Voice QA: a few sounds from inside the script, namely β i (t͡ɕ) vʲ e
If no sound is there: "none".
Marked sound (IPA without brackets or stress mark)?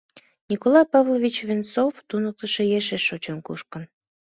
t͡ɕ